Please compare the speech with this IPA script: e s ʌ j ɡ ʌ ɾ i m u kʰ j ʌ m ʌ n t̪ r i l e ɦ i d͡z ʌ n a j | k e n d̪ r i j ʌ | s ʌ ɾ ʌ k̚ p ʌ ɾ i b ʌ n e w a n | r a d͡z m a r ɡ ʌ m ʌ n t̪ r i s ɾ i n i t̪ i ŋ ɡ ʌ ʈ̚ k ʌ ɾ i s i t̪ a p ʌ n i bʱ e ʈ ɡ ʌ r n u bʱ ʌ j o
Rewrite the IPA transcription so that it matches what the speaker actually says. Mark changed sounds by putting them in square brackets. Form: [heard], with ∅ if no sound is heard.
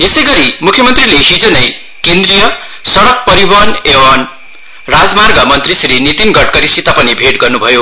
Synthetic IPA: e s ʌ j ɡ ʌ ɾ i m u kʰ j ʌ m ʌ n t̪ r i l e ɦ i d͡z ʌ n [ʌ] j | k e n d̪ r i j ʌ | s ʌ [ɽ] ʌ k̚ p ʌ ɾ i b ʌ n e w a n | r a d͡z m a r ɡ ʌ m ʌ n t̪ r i s ɾ i n i t̪ i [n] ɡ ʌ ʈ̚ k ʌ ɾ i s i t̪ a p ʌ n i bʱ e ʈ ɡ ʌ r n u bʱ ʌ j o